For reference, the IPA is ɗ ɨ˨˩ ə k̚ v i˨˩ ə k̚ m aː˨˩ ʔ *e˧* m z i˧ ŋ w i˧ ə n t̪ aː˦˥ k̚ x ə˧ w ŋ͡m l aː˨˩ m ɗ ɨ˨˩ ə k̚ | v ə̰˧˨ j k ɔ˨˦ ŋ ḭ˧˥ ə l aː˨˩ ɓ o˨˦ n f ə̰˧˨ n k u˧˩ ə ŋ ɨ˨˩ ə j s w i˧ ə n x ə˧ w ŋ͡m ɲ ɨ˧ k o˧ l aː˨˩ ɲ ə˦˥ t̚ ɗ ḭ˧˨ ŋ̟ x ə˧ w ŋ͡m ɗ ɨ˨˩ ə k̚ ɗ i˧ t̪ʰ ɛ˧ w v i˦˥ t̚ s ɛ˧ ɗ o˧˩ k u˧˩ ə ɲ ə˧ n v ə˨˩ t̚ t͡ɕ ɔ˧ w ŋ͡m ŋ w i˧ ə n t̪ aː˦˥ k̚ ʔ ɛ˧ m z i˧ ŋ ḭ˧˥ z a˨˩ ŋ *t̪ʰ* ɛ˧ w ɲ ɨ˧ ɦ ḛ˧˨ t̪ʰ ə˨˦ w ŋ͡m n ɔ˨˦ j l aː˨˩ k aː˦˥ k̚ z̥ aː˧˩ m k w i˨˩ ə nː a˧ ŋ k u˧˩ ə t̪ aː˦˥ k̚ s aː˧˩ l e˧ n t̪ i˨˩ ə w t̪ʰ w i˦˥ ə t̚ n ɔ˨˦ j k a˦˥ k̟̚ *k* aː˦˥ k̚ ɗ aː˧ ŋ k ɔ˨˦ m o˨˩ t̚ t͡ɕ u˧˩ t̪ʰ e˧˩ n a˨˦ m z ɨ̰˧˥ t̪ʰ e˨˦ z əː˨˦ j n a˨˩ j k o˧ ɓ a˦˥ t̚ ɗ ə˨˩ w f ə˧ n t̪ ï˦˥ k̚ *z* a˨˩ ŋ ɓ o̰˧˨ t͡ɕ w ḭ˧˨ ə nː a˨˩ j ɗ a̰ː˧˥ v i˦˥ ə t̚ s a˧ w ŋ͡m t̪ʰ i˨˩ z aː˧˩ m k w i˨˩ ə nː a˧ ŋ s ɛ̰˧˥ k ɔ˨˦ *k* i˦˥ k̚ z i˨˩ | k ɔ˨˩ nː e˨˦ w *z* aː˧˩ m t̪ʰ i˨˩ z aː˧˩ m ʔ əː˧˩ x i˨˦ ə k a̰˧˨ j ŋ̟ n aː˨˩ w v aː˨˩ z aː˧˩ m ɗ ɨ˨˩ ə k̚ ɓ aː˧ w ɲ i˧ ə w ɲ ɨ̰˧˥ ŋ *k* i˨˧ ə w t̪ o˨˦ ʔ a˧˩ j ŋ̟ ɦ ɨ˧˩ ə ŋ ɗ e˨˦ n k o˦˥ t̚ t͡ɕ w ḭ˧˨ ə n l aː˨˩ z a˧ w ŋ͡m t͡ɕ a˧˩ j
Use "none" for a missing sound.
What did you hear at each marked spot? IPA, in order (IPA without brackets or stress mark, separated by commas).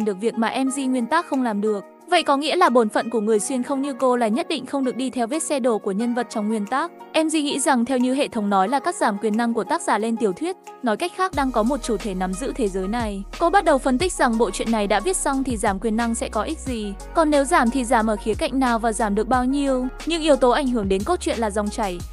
ɛ˧, t̪ʰ, x, z, ʔ, z, ʔ